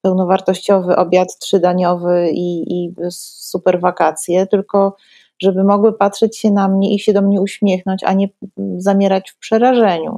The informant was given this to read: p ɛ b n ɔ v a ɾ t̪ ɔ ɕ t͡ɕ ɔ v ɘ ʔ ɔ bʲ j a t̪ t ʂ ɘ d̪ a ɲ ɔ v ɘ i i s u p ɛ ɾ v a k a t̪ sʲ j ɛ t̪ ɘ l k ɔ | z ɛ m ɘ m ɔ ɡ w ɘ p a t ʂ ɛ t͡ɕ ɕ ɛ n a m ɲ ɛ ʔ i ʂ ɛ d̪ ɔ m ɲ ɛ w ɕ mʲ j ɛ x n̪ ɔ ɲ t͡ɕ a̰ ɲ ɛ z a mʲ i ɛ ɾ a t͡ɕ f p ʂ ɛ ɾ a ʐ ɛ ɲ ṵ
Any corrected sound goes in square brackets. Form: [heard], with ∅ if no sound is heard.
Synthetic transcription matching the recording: p ɛ [w] n ɔ v a ɾ t̪ ɔ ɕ t͡ɕ ɔ v ɘ ʔ ɔ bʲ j a t̪ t ʂ ɘ d̪ a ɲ ɔ v ɘ i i s u p ɛ ɾ v a k a t̪ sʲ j ɛ t̪ ɘ l k ɔ | [ʐ] ɛ [b] ɘ m ɔ ɡ w ɘ p a t ʂ ɛ t͡ɕ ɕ ɛ n a m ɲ ɛ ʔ i [ɕ] ɛ d̪ ɔ m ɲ ɛ [u] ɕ mʲ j ɛ x n̪ ɔ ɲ t͡ɕ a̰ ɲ ɛ z a mʲ [j] ɛ ɾ a t͡ɕ f p ʂ ɛ ɾ a ʐ ɛ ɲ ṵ